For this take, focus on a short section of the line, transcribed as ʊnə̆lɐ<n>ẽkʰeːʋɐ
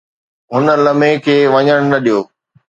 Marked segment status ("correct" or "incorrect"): incorrect